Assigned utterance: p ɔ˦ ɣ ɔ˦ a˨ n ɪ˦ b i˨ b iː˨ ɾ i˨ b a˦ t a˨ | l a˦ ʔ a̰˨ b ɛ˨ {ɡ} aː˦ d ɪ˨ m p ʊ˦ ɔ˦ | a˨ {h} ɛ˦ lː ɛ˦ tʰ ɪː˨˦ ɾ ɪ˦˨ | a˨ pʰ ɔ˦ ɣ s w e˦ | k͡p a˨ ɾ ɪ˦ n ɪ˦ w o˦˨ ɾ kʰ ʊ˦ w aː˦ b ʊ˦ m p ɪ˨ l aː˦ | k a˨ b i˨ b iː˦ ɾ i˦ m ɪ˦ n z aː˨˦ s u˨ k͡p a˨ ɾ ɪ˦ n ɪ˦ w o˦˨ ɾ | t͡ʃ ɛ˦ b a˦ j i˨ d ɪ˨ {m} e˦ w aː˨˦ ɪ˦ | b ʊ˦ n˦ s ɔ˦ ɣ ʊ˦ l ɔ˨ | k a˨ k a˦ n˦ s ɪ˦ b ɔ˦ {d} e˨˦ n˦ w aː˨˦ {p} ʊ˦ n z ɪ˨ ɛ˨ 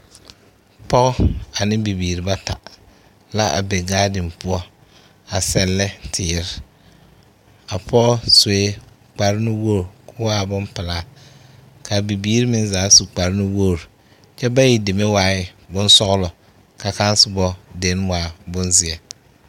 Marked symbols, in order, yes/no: yes, no, yes, yes, no

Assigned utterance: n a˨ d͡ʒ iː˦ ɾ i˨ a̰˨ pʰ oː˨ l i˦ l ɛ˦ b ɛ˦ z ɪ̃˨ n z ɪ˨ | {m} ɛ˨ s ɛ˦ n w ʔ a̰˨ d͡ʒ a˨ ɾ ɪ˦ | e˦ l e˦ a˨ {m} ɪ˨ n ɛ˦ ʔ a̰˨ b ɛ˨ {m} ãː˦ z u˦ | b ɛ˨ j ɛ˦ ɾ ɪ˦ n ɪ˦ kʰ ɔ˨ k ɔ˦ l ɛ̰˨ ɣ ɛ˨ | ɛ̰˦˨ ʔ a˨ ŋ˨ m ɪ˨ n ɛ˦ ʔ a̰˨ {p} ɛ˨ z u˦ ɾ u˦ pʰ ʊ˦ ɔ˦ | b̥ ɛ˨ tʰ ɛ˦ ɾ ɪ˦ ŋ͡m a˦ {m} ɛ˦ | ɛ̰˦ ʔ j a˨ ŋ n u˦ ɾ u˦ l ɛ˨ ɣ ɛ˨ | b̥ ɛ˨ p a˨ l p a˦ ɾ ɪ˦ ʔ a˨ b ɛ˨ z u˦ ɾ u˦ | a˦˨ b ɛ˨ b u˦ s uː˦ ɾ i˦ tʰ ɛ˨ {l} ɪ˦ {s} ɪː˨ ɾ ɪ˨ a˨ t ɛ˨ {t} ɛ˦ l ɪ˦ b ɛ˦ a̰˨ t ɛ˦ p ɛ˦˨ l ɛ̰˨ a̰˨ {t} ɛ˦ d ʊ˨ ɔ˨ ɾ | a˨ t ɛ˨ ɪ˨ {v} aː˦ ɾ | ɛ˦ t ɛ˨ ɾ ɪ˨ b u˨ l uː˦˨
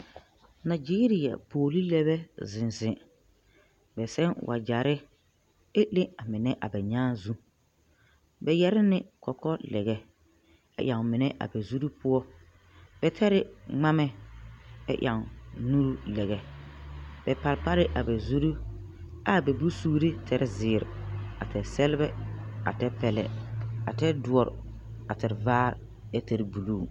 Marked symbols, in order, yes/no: no, yes, no, no, yes, no, no, no, yes, yes

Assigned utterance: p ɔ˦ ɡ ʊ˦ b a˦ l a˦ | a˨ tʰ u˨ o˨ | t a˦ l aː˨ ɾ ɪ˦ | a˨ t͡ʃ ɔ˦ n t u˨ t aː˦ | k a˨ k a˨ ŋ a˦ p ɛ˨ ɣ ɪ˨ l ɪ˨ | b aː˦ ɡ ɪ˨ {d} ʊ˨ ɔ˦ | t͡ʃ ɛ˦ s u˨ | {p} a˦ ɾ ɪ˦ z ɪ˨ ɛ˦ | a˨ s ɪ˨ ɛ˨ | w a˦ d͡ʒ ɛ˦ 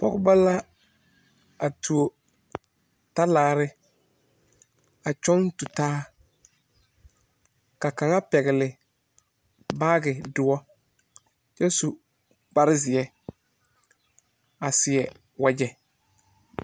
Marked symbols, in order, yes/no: yes, no

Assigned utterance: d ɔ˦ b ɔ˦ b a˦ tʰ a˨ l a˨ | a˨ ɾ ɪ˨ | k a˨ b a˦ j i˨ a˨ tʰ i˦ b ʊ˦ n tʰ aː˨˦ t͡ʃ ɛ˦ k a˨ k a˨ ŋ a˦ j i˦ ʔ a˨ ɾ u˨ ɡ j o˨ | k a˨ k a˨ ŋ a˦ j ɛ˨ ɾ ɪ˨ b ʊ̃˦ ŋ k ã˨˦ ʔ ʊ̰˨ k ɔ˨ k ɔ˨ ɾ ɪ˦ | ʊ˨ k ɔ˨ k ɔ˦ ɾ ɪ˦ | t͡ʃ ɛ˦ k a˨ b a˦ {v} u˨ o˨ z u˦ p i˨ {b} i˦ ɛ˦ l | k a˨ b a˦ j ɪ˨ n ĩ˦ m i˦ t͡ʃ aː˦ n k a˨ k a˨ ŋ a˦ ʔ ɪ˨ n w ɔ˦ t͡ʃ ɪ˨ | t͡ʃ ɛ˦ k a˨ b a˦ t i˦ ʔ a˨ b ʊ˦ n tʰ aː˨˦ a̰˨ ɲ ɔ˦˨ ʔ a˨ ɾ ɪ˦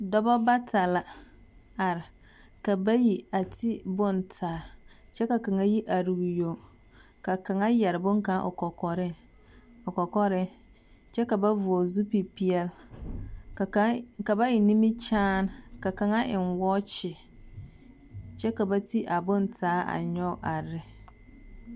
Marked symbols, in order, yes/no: yes, no

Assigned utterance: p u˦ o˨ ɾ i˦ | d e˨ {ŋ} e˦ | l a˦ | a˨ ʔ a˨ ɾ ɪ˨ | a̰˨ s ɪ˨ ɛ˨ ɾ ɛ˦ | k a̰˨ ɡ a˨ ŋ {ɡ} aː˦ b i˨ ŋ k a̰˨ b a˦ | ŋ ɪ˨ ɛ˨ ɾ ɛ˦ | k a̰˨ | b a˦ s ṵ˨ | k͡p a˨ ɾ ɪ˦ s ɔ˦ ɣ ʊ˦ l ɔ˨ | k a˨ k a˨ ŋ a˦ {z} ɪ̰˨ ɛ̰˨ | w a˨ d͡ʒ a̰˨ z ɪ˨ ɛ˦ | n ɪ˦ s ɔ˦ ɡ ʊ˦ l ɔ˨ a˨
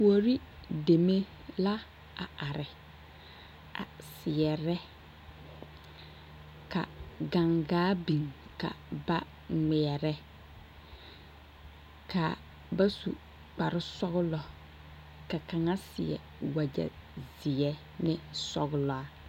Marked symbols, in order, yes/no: no, yes, no

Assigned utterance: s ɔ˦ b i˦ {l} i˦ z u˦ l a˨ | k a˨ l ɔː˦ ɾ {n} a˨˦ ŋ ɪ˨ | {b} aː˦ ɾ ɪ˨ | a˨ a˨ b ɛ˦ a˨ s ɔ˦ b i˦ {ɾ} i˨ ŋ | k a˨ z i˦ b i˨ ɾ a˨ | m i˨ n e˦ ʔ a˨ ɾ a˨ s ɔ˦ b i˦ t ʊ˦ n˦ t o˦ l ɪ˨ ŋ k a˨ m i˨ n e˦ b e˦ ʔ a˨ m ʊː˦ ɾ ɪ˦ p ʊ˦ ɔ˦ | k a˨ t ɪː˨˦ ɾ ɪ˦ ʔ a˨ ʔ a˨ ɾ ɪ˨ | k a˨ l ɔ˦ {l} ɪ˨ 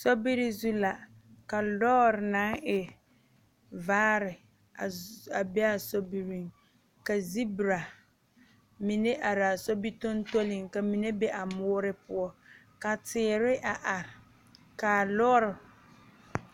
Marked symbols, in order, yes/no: no, yes, no, yes, no

